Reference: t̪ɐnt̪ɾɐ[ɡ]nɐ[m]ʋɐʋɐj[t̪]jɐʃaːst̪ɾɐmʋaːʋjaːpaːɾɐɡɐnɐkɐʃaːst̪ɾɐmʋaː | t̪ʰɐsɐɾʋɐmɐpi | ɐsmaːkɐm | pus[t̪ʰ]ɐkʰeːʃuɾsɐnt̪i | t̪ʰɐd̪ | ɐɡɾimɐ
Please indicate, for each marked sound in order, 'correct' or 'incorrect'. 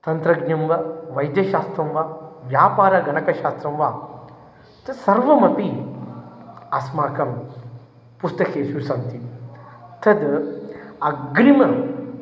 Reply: correct, correct, incorrect, incorrect

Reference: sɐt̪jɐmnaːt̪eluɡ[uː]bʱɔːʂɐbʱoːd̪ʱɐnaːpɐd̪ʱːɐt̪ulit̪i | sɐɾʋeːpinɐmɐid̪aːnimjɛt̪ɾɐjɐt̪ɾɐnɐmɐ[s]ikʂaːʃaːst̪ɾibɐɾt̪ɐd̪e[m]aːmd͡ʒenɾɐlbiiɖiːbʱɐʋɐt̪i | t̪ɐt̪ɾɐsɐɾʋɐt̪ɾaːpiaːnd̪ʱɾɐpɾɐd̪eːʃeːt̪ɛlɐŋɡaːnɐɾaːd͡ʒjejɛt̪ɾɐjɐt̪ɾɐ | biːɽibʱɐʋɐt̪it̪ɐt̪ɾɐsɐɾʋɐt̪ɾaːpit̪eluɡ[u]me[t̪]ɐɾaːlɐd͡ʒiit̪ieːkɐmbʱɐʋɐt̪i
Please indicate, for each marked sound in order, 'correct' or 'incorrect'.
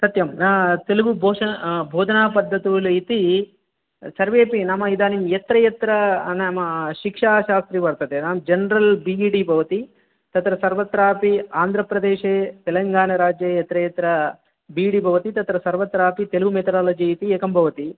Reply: incorrect, incorrect, incorrect, correct, correct

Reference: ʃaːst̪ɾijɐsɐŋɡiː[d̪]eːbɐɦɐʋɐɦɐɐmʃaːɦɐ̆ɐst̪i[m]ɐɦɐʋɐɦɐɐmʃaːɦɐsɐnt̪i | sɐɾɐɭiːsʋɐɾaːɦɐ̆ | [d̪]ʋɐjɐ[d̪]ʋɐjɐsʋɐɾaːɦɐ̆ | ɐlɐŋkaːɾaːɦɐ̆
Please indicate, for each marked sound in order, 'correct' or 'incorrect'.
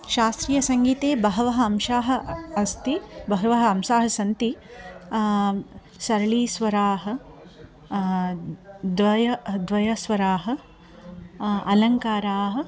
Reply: incorrect, incorrect, correct, correct

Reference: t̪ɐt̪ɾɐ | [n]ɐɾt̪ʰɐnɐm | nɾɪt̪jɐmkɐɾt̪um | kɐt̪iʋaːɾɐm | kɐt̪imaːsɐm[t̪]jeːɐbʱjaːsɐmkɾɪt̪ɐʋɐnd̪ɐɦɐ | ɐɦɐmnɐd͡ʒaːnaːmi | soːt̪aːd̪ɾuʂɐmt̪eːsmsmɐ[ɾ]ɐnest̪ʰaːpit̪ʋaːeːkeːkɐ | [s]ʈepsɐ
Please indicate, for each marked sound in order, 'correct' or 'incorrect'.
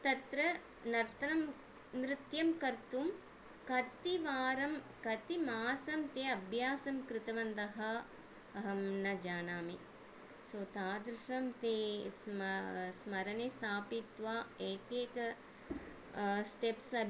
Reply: correct, correct, correct, correct

